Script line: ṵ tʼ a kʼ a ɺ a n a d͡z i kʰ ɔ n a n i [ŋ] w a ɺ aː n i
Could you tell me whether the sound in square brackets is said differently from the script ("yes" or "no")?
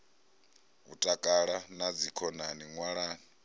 no